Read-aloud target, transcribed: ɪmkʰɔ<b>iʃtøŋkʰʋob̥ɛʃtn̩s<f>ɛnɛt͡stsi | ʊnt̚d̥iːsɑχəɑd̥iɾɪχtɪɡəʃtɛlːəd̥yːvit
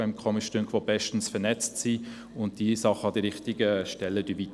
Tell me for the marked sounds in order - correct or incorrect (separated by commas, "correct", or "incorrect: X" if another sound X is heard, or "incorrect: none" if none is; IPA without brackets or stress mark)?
incorrect: m, correct